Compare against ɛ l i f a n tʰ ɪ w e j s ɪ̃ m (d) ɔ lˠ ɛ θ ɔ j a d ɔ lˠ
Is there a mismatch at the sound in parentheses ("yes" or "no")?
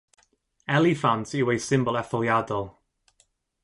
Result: yes